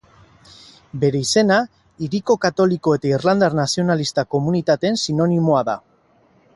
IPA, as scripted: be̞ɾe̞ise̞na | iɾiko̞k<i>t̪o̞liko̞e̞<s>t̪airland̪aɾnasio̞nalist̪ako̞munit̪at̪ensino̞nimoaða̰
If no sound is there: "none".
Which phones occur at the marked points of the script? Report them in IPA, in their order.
a, none

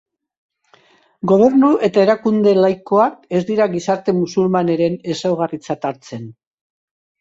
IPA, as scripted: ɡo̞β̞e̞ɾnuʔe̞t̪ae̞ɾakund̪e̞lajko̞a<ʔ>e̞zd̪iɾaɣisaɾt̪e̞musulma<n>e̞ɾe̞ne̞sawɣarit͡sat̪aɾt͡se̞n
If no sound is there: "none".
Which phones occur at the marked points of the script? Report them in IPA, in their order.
k, n

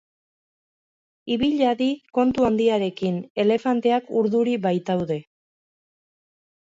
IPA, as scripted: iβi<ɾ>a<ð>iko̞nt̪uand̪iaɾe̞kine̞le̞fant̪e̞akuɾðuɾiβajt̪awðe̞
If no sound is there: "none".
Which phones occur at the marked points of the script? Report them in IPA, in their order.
ʎ, ð

